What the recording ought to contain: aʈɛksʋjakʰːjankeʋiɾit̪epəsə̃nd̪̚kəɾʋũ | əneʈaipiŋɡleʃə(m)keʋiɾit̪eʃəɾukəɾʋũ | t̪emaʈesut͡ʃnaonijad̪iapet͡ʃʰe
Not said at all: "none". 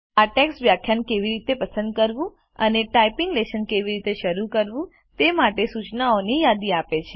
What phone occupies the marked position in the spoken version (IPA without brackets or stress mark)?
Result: n